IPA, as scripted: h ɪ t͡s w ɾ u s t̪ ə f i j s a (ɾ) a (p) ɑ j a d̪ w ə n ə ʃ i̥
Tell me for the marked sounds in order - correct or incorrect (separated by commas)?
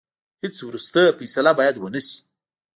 incorrect, incorrect